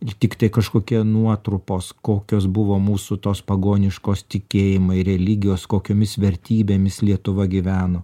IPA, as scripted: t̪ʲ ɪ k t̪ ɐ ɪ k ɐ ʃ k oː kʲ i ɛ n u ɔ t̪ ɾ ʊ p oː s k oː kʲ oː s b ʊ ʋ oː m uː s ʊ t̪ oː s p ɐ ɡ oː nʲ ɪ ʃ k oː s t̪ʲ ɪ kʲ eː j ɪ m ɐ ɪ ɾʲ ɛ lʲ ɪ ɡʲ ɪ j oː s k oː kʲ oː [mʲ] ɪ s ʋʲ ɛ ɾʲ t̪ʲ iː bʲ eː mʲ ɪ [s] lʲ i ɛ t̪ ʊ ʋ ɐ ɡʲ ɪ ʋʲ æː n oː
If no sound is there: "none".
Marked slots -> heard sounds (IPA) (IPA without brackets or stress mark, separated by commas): mʲ, s